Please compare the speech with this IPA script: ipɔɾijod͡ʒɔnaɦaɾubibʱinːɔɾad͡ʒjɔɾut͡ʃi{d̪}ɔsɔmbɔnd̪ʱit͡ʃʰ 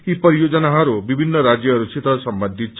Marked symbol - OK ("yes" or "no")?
no